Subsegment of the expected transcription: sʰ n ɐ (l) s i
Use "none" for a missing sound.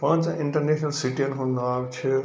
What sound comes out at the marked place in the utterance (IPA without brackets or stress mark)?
l